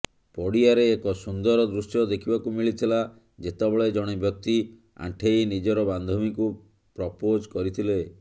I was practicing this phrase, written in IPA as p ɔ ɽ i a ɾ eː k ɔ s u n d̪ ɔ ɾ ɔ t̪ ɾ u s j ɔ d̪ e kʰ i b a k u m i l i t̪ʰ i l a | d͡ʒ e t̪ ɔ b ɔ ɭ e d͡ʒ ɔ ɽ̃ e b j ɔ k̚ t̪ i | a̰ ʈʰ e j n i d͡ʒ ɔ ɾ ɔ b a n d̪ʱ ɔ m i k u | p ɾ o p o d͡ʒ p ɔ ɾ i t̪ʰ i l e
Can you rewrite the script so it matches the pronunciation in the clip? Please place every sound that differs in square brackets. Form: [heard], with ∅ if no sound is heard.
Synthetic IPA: p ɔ ɽ i a ɾ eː k ɔ s u n d̪ ɔ ɾ ɔ [d̪] ɾ u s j ɔ d̪ e kʰ i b a k u m i [ɭ] i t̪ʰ i l a | d͡ʒ e t̪ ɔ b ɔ ɭ e d͡ʒ ɔ ɽ̃ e b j ɔ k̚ t̪ i | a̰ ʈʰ e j n i d͡ʒ ɔ ɾ ɔ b a n d̪ʱ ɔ m i k u | p ɾ [ɔ] p o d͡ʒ [k] ɔ ɾ i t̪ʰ i l e